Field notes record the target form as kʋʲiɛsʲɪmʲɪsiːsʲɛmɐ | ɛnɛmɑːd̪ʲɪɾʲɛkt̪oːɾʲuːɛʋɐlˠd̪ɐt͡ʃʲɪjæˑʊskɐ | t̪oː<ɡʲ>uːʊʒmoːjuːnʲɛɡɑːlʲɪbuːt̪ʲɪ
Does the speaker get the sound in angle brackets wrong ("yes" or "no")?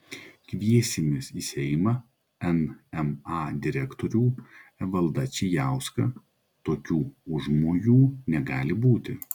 yes